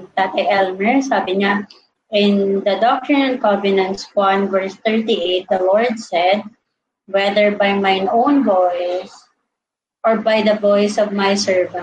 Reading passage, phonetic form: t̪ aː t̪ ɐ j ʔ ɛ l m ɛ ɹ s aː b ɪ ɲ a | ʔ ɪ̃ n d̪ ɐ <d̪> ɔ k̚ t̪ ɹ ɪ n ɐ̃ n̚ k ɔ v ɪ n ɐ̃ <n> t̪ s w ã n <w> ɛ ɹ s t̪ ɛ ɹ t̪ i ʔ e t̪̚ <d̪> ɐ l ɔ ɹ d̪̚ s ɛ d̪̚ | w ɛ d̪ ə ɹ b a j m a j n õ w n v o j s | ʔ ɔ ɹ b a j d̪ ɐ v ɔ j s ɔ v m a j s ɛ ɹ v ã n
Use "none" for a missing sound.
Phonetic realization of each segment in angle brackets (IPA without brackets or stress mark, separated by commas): d̪, n, v, d̪